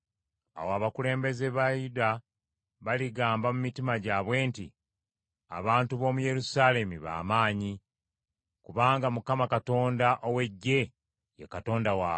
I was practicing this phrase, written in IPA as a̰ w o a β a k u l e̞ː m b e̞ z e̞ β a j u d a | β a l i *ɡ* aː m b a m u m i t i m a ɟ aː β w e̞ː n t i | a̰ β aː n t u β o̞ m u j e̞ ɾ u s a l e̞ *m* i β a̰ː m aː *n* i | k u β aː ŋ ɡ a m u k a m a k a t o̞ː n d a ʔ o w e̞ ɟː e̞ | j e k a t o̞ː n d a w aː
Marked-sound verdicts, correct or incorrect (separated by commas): correct, correct, incorrect